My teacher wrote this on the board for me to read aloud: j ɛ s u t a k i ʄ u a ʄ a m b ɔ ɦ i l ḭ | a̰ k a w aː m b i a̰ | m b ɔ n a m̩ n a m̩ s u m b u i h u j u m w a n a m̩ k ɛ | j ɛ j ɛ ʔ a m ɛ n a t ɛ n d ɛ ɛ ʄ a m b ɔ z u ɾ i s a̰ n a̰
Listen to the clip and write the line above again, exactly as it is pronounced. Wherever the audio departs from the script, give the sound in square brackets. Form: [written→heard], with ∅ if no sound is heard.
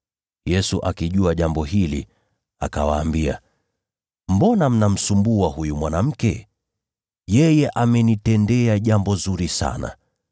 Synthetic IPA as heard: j ɛ s u [t→ʔ] a k i ʄ u a ʄ a m b ɔ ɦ i l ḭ | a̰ k a w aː m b i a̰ | m b ɔ n a m̩ n a m̩ s u m b u [i→a] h u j u m w a n a m̩ k ɛ | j ɛ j ɛ ʔ a m ɛ n [a→i] t ɛ n d ɛ [ɛ→a] ʄ a m b ɔ z u ɾ i s a̰ n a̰